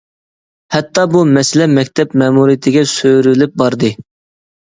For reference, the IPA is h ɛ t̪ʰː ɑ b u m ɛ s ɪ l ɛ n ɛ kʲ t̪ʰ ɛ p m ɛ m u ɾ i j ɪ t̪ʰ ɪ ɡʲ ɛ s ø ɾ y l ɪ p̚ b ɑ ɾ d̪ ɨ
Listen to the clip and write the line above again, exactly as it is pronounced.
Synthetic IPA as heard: h ɛ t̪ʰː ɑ b u m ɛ s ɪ l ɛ m ɛ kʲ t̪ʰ ɛ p m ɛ m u ɾ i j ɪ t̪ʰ ɪ ɡʲ ɛ s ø ɾ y l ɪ p̚ b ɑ ɾ d̪ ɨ